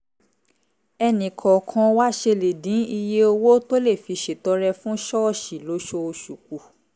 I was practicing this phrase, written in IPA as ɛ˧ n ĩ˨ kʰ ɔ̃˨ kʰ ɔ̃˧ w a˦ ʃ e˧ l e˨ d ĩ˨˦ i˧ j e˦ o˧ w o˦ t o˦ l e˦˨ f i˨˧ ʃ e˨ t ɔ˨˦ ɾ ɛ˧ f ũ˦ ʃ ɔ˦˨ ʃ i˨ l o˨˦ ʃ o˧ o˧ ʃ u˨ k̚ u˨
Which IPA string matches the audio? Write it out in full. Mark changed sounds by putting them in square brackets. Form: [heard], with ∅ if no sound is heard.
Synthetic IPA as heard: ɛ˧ n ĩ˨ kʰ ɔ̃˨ kʰ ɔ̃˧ w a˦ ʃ e˧ l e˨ d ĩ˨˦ i˧ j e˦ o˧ w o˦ t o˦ l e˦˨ f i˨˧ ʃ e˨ t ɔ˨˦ ɾ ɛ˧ f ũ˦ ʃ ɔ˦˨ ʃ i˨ l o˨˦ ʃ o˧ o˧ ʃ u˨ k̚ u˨